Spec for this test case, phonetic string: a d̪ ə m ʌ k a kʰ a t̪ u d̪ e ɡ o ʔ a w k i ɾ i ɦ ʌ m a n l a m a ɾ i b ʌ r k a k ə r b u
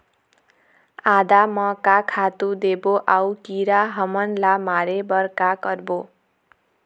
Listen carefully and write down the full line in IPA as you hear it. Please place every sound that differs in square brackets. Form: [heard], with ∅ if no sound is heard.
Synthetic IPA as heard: a d̪ [a] m ʌ k a kʰ a t̪ u d̪ e [b] o ʔ a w k i ɾ [a] ɦ ʌ m [ʌ] n l a m a ɾ [e] b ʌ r k a k [ʌ] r b [o]